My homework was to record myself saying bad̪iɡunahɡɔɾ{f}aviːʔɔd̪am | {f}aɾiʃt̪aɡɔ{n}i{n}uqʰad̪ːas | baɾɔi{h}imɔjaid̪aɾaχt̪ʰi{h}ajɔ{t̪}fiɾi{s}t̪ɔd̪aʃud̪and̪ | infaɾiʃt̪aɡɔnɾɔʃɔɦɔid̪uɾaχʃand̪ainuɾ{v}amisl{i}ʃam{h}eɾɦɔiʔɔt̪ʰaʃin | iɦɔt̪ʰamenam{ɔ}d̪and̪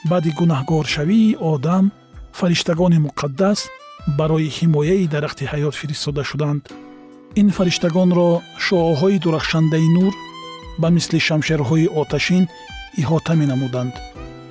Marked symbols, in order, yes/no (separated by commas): no, yes, yes, no, yes, yes, yes, yes, no, yes, no, no